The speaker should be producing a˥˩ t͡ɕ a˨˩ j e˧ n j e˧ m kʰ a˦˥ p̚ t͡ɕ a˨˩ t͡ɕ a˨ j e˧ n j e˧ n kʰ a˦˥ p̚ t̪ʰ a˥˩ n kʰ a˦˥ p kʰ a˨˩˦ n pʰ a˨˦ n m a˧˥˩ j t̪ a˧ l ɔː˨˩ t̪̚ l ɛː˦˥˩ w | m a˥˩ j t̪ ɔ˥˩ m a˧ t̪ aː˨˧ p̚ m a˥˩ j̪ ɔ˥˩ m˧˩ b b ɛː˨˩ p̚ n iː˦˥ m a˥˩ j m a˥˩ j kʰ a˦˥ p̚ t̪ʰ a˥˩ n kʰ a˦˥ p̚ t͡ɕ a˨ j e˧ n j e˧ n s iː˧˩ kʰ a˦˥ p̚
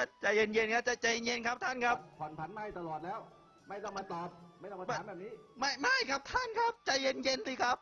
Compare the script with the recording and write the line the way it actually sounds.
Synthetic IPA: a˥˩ t͡ɕ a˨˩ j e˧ n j e˧ n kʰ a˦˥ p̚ t͡ɕ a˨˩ t͡ɕ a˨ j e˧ n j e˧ n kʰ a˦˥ p̚ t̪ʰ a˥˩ n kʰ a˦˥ p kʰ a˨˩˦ n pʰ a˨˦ n m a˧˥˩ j t̪ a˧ l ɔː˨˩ t̪̚ l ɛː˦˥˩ w | m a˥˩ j t̪ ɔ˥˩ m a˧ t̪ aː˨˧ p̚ m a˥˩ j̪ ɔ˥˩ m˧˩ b b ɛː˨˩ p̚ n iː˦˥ m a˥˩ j m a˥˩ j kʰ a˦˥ p̚ t̪ʰ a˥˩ n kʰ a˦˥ p̚ t͡ɕ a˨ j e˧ n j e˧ n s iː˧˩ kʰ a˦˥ p̚